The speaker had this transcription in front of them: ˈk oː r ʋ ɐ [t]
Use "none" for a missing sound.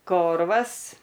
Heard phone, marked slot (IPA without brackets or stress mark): s